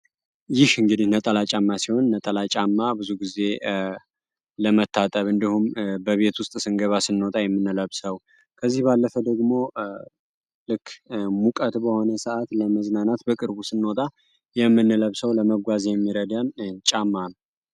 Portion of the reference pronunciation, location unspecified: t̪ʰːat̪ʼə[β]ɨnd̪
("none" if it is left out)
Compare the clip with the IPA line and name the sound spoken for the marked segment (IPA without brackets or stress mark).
β